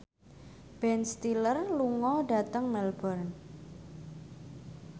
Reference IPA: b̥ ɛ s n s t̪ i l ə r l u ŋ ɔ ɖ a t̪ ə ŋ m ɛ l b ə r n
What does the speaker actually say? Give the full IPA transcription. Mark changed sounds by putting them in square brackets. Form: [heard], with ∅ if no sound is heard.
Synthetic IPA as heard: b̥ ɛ [∅] n s t̪ i l ə r l u ŋ ɔ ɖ a t̪ ə ŋ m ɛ l b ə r n